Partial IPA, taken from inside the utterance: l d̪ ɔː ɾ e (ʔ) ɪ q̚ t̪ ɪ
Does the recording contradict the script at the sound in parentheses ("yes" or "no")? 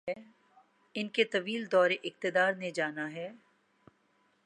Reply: no